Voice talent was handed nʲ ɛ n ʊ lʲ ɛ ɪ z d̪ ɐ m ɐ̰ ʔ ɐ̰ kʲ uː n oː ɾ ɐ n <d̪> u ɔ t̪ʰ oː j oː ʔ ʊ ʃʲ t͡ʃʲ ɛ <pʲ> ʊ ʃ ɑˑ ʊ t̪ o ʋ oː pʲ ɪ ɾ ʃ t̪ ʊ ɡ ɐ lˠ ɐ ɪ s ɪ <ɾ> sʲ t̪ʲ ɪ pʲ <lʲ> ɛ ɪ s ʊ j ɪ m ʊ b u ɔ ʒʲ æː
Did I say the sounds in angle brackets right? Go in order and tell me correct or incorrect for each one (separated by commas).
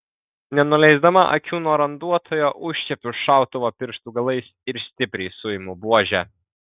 correct, correct, correct, incorrect